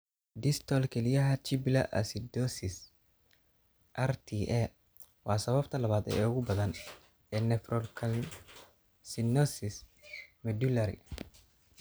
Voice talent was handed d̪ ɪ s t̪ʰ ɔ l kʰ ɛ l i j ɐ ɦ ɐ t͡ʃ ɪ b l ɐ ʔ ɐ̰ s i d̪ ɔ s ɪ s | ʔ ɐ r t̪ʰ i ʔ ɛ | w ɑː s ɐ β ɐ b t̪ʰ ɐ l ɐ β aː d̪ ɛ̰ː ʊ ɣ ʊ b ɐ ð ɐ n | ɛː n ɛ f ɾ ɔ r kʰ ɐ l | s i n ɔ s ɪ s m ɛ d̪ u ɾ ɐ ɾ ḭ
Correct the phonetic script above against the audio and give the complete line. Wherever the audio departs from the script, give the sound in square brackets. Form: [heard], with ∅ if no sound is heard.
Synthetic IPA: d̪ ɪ s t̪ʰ ɔ l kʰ ɛ l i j ɐ ɦ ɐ t͡ʃ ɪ b l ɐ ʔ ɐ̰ s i d̪ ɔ s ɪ s | ʔ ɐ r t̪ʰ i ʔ ɛ | w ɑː s ɐ β ɐ b t̪ʰ ɐ l ɐ β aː d̪ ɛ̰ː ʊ ɣ ʊ b ɐ ð ɐ n | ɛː n ɛ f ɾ ɔ [l] kʰ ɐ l | s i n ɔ s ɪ s m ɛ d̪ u [l] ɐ ɾ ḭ